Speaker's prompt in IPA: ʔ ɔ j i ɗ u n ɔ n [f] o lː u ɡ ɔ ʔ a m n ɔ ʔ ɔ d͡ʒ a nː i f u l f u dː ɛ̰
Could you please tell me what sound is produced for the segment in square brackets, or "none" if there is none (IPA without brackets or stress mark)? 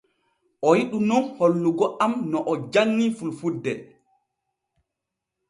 h